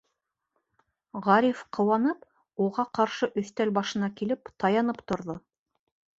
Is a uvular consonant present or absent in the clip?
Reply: present